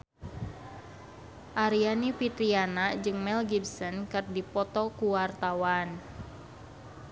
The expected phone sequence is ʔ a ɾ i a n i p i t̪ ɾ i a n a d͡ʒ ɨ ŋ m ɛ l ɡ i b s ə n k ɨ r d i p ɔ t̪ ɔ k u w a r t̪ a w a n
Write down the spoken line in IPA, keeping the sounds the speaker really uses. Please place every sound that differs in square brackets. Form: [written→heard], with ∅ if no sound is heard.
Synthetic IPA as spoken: ʔ a ɾ i a n i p i t̪ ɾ i a n a d͡ʒ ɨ ŋ m ɛ l ɡ i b s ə n k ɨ r d i p ɔ t̪ ɔ k u w a r t̪ a w a n